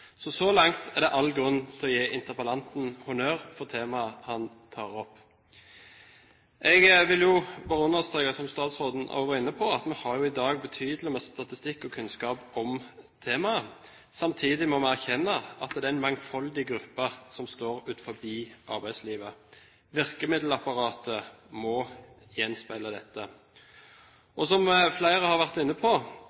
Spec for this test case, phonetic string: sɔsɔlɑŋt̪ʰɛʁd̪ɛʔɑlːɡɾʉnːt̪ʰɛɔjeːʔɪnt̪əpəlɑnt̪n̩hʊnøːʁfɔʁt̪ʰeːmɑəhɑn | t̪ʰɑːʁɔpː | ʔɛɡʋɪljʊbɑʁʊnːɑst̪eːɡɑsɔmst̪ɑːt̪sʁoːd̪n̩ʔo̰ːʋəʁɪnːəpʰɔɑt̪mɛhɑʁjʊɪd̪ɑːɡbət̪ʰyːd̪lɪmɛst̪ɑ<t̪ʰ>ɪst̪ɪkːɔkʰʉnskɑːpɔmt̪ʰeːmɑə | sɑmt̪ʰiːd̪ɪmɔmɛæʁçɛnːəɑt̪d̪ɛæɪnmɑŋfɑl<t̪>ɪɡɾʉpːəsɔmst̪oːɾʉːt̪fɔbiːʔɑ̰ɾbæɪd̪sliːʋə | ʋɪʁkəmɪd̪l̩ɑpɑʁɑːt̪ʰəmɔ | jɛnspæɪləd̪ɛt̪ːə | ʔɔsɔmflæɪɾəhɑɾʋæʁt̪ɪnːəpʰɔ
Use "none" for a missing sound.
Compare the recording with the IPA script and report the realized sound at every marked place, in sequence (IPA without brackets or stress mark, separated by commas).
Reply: t̪, d̪